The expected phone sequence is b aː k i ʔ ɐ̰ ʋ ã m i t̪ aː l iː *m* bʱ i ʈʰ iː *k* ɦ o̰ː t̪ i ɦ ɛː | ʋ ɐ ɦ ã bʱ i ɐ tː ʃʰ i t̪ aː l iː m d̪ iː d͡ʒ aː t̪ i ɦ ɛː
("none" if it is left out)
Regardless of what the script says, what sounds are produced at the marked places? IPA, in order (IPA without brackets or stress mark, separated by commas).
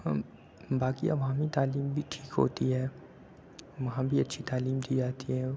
m, k